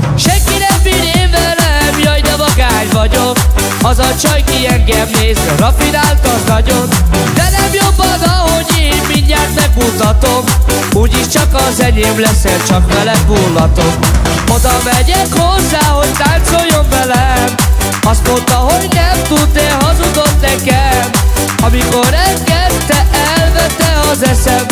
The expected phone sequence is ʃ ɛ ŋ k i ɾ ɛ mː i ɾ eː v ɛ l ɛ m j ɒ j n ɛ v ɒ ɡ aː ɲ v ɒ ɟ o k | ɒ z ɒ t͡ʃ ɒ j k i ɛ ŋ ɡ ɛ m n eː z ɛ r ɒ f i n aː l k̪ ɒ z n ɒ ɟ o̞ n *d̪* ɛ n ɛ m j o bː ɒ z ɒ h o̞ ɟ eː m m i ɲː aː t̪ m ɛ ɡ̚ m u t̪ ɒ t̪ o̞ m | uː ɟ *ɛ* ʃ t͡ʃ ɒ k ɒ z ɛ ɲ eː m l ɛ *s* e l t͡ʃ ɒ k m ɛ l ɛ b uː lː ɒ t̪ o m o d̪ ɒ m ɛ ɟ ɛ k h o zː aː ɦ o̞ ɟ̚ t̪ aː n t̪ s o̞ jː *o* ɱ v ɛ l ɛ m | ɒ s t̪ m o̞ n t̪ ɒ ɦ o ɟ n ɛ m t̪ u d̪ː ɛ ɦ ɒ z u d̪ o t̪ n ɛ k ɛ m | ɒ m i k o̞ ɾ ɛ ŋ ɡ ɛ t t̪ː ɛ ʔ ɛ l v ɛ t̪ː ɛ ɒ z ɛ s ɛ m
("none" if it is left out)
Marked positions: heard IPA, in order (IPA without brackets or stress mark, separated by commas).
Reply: d̪, i, s, o